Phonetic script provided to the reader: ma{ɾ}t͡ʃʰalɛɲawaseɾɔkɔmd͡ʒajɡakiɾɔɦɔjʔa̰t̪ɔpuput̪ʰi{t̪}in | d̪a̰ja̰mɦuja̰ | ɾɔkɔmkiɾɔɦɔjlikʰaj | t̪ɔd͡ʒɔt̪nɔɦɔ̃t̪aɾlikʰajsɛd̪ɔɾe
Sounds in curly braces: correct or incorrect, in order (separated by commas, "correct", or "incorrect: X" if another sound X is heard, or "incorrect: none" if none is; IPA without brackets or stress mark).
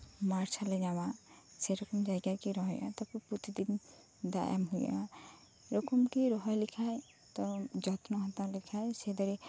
correct, incorrect: d̪